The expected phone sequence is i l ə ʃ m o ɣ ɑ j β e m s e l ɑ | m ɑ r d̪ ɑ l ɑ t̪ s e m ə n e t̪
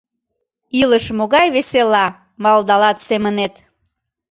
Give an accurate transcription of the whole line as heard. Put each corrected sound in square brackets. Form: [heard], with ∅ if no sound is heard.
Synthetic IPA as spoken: i l ə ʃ m o ɣ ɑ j β e [∅] s e l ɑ | m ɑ [l] d̪ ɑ l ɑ t̪ s e m ə n e t̪